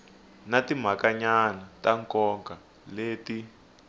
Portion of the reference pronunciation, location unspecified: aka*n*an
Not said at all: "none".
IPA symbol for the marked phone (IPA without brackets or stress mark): ɲ